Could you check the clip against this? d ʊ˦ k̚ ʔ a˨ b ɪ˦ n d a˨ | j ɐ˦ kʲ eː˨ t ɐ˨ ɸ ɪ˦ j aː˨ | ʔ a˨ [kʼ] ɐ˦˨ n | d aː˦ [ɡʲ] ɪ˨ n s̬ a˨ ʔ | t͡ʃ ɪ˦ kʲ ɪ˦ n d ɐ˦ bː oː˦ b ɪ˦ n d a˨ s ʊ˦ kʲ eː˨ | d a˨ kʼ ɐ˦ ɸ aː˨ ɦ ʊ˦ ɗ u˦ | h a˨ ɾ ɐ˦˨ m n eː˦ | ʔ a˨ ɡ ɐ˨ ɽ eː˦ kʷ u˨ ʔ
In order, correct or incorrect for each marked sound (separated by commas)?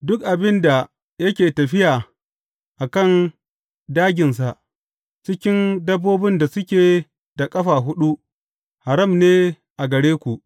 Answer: incorrect, correct